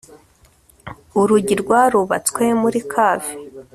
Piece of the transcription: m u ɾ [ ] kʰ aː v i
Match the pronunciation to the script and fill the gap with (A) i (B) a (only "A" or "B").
A